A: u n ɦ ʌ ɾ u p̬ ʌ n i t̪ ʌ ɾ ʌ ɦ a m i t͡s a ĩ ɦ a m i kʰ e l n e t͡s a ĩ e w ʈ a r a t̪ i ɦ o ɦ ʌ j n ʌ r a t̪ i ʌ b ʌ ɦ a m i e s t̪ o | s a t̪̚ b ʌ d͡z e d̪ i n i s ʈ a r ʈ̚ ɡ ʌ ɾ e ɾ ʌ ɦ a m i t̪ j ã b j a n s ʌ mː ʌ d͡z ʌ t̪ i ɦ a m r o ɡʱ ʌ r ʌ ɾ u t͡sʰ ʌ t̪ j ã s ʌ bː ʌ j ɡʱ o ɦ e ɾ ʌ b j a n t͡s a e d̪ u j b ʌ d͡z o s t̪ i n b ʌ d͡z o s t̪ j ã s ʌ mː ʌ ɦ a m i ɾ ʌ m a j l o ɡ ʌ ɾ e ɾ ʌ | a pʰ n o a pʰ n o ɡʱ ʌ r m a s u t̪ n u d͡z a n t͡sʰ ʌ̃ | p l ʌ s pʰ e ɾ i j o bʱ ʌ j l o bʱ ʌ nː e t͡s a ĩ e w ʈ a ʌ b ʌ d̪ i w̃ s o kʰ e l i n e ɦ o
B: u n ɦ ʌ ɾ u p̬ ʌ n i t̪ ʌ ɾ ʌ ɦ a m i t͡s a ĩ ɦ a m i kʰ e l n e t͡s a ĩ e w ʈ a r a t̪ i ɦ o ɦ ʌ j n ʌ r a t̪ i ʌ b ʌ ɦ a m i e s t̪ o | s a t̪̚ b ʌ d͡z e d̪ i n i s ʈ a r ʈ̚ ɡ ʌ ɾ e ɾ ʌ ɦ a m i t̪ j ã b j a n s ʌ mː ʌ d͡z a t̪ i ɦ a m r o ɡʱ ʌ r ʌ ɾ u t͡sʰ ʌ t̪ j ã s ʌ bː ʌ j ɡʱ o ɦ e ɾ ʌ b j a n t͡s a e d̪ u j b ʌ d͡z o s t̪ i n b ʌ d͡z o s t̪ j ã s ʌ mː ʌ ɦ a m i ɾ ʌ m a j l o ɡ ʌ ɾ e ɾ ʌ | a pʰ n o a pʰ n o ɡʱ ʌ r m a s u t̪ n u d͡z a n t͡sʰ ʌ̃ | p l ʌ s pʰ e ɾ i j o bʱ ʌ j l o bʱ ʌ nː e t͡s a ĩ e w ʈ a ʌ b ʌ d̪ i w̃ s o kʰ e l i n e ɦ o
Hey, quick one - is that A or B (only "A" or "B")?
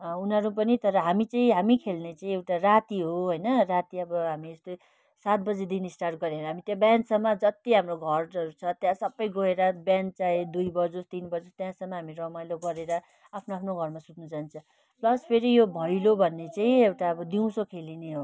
A